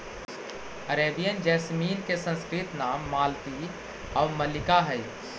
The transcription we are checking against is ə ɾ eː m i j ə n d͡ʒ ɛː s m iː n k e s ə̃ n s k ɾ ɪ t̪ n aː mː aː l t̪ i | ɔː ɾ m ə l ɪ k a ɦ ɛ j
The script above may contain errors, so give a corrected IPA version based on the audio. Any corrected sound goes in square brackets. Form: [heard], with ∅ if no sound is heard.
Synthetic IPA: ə ɾ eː [b] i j ə n d͡ʒ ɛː s m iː n k e s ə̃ n s k ɾ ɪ t̪ n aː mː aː l t̪ i | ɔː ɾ m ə l ɪ k a ɦ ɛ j